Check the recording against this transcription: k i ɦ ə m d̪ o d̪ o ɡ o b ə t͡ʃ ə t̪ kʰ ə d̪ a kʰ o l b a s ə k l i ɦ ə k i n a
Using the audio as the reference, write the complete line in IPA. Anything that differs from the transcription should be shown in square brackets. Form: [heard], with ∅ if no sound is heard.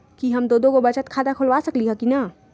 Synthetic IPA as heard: k i ɦ ə m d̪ o d̪ o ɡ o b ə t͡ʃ ə t̪ kʰ [a] d̪ a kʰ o l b a s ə k l i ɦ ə k i n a